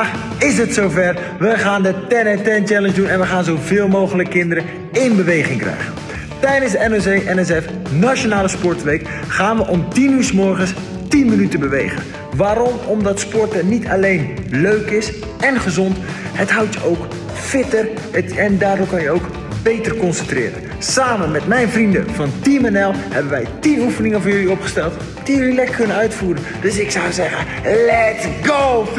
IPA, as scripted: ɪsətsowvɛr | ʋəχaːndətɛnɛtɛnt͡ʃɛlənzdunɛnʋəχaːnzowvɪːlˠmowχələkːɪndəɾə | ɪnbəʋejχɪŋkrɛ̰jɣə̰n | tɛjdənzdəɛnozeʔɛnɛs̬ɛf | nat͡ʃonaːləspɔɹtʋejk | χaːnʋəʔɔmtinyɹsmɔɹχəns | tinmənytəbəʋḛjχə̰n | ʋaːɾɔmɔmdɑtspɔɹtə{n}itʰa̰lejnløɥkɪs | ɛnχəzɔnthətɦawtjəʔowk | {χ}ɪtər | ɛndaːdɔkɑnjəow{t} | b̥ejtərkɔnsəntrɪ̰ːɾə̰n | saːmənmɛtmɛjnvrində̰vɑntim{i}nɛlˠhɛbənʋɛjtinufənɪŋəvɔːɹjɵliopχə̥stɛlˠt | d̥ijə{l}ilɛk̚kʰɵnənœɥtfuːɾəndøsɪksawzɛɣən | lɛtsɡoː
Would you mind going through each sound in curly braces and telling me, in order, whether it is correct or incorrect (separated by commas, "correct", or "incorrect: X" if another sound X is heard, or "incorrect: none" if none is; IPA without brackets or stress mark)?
correct, incorrect: f, incorrect: k, incorrect: ɛ, correct